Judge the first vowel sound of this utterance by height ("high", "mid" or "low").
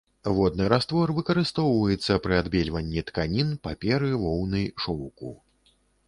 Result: mid